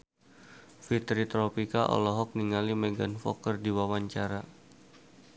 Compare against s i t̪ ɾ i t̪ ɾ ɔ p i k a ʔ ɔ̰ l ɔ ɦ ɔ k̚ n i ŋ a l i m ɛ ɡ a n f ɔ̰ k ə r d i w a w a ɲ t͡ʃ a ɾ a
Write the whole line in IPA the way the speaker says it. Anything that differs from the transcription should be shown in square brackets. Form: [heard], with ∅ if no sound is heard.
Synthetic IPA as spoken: [f] i t̪ ɾ i t̪ ɾ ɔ p i k a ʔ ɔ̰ l ɔ ɦ ɔ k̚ n i ŋ a l i m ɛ ɡ a n f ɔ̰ k ə r d i w a w a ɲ t͡ʃ a ɾ a

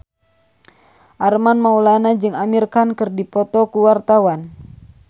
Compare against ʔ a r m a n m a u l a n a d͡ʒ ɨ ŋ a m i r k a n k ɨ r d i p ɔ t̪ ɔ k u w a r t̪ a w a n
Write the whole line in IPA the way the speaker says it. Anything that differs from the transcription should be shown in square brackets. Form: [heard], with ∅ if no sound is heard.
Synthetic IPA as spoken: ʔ a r m a n m a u l a n a d͡ʒ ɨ ŋ a m i r k a n k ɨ r d i p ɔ t̪ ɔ k u w a r t̪ a w a n

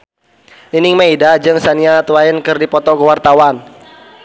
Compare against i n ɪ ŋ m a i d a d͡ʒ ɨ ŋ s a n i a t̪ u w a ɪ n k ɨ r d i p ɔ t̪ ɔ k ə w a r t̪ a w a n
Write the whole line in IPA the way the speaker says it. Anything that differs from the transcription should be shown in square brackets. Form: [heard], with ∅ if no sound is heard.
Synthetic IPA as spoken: i n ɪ ŋ m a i d a d͡ʒ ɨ ŋ s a n i a t̪ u w a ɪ n k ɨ r d i p ɔ t̪ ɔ k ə w a r t̪ a w a n

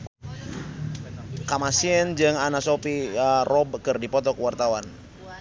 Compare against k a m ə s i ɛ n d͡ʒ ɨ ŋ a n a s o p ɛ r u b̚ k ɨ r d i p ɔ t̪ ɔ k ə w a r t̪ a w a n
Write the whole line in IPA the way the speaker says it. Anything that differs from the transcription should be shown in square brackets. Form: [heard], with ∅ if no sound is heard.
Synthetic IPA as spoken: k a m [a] s i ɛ n d͡ʒ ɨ ŋ a n a s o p [i] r [ɔ] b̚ k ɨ r d i p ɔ t̪ ɔ k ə w a r t̪ a w a n

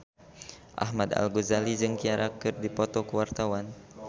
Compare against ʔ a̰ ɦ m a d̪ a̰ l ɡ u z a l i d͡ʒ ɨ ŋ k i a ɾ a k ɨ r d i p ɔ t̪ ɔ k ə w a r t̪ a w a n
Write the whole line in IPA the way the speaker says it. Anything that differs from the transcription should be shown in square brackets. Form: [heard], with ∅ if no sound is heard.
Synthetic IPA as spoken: ʔ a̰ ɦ m a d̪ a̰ l ɡ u z a l i d͡ʒ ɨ ŋ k i a ɾ a k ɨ r d i p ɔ t̪ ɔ k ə w a r t̪ a w a n

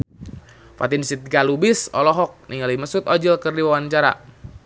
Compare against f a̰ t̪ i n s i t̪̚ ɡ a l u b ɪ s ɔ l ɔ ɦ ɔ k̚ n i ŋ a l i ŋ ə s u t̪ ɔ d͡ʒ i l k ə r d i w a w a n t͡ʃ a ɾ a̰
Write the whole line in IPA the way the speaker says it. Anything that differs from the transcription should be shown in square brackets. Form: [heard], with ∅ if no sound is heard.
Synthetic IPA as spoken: f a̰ t̪ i n s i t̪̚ ɡ a l u b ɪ s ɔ l ɔ ɦ ɔ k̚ n i ŋ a l i [m] ə s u t̪ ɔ d͡ʒ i l k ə r d i w a w a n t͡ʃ a ɾ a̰

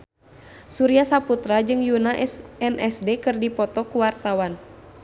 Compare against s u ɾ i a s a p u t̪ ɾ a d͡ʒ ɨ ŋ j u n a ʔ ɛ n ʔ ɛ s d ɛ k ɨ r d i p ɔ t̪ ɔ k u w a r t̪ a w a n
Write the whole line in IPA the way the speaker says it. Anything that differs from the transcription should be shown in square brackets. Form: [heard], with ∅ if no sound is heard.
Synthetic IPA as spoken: s u ɾ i a s a p u t̪ ɾ a d͡ʒ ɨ ŋ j u n a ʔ ɛ n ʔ ɛ s d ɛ k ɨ r d i p ɔ t̪ ɔ k u w a r t̪ a w a n

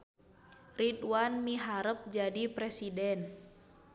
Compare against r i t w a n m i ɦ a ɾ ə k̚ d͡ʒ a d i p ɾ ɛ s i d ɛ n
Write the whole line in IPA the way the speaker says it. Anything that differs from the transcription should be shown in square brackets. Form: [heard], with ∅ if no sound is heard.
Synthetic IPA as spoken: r i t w a n m i ɦ a ɾ ə [p̚] d͡ʒ a d i p ɾ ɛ s i d ɛ n

